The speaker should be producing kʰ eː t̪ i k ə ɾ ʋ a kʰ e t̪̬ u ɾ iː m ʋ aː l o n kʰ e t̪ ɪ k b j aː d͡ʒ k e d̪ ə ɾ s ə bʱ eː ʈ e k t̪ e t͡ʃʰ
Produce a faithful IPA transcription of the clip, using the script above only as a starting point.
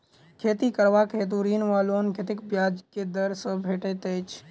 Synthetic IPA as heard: kʰ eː t̪ i k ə ɾ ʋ a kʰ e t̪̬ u ɾ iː n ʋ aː l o n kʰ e t̪ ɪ k b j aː d͡ʒ k e d̪ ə ɾ s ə bʱ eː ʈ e t̪ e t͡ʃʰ

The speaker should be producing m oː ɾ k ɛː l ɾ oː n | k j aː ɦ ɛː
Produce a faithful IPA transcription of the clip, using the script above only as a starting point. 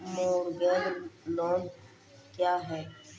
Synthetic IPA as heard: m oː ɾ ɡ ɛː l l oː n | k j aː ɦ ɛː

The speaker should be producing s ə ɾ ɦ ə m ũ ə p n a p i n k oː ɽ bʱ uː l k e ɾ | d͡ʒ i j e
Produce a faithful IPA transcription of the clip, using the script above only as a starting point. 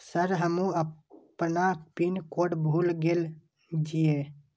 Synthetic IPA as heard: s ə ɾ ɦ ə m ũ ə p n a p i n k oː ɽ bʱ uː l ɡ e l | d͡ʒ i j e

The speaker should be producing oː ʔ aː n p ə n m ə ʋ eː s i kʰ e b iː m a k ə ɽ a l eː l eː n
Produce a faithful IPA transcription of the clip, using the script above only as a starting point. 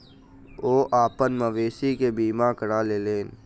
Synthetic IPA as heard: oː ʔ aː p ə n m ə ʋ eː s i k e b iː m a k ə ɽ a l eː l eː n

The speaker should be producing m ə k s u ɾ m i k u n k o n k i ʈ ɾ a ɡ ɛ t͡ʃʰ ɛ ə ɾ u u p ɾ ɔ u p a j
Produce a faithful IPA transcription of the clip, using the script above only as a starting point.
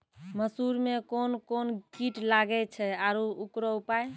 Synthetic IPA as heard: m ə s u ɾ m e k o n k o n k i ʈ l a ɡ ɛ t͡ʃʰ ɛ a ɾ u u k ɾ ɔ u p a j

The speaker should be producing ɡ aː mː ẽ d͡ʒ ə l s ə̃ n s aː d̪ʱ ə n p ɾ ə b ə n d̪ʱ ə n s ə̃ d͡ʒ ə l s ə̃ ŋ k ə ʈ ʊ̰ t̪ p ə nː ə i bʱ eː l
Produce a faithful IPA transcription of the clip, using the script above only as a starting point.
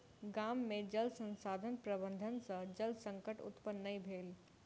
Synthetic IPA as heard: ɡ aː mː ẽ d͡ʒ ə l s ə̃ n s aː d̪ʱ ə n p ɾ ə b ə n d̪ʱ ə n s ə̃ d͡ʒ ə l s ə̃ ŋ k ə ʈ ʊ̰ t̪ p ə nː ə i bʱ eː l

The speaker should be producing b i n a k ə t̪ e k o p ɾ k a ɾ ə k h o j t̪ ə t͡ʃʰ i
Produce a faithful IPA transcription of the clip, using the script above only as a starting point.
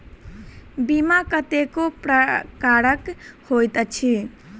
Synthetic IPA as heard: b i m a k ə t̪ e k o p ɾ k a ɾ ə k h o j t̪ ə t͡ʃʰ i

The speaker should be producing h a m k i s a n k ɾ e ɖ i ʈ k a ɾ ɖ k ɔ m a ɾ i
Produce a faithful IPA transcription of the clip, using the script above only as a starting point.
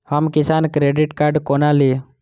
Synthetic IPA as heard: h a m k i s a n k ɾ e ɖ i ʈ k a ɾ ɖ k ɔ n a l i

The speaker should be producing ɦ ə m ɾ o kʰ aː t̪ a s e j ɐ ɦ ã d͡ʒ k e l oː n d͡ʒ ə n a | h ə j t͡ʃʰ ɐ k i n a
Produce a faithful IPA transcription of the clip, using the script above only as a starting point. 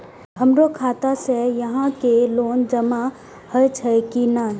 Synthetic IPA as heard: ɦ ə m ɾ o kʰ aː t̪ a s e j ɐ ɦ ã k e l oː n d͡ʒ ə m a | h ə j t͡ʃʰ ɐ k i n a

